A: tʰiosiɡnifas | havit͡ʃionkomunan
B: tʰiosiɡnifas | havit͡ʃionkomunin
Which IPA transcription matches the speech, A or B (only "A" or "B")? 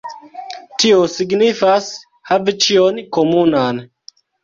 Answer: A